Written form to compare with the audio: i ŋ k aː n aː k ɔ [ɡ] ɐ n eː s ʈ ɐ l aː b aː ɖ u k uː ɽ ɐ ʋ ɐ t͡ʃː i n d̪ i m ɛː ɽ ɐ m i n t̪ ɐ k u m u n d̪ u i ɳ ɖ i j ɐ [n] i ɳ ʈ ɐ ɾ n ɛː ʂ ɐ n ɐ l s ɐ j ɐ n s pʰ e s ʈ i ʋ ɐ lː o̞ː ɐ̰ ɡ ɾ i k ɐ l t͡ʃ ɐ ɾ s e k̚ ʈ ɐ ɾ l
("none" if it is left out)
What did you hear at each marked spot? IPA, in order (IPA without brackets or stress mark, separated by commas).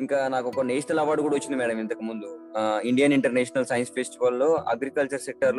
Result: k, n